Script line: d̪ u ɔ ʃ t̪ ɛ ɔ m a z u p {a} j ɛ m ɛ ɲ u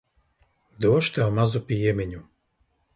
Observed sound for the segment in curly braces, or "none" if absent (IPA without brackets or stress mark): i